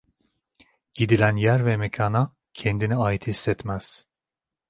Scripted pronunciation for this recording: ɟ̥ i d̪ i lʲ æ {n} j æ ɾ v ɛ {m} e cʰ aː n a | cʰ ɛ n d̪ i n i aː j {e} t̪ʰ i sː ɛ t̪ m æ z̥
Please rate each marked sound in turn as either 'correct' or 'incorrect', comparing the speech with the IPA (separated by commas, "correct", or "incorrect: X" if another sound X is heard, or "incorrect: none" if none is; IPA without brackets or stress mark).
correct, correct, incorrect: i